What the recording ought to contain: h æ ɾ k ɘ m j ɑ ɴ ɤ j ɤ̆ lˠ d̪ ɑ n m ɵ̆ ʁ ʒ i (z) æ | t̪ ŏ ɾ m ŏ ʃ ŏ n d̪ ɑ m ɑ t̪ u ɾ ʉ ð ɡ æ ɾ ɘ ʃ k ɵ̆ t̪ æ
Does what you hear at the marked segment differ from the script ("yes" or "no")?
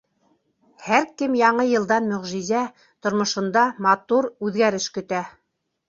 no